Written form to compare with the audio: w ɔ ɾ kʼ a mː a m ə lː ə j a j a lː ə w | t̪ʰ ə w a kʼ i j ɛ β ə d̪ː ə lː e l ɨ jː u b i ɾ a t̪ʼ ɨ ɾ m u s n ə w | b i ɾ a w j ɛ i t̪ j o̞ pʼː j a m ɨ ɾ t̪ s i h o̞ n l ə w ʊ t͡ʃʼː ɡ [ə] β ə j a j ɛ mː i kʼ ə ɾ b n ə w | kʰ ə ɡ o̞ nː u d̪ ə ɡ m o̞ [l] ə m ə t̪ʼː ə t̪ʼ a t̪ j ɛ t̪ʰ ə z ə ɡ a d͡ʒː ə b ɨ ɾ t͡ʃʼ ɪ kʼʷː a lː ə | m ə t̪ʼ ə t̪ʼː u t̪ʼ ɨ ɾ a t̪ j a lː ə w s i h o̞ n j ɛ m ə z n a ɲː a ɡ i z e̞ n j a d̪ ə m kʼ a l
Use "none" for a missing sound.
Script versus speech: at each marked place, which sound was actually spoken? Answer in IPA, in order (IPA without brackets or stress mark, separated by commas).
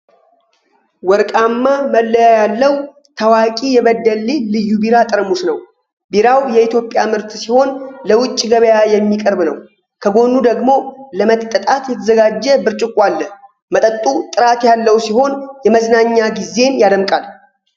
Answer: ə, l